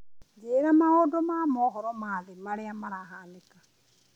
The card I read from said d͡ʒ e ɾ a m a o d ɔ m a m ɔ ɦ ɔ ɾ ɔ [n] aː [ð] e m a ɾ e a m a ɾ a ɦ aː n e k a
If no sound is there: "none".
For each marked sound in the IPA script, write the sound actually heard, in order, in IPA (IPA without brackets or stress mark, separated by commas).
m, ð